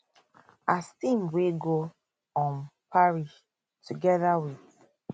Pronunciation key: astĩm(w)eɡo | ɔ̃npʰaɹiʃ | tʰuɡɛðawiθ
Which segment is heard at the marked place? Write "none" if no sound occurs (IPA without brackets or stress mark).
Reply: w